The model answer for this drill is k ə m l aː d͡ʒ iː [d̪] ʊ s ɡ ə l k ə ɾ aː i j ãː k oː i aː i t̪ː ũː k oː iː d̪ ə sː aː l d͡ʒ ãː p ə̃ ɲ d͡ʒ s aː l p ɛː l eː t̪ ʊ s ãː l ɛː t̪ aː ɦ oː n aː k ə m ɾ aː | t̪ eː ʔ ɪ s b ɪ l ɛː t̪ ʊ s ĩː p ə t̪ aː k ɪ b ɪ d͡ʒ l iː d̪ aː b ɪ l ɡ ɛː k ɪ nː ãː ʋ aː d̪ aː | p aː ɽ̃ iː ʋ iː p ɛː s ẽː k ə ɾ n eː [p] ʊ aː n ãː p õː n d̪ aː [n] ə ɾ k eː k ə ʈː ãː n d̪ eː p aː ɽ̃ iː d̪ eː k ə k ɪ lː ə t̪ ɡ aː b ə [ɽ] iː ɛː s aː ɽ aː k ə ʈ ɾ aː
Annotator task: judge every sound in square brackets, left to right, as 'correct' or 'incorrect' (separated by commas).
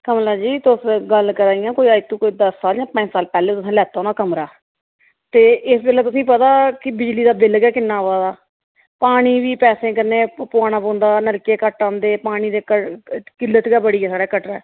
incorrect, correct, correct, correct